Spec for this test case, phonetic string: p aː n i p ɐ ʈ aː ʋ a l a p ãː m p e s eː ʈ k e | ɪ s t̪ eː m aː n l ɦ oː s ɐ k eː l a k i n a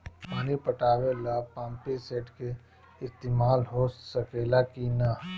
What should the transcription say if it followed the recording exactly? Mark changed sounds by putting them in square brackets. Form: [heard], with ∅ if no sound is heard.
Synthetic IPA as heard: p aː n i p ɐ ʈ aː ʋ [e] l a p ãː m p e s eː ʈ k e | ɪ s t̪ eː m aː [∅] l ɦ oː s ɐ k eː l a k i n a